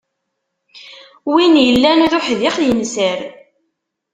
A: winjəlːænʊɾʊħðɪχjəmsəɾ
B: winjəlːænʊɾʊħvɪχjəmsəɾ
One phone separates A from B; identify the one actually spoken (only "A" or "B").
A